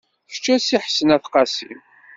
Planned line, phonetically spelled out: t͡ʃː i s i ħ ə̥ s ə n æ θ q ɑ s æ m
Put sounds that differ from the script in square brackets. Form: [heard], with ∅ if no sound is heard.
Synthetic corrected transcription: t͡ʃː [æ] s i ħ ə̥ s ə n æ θ q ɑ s [i] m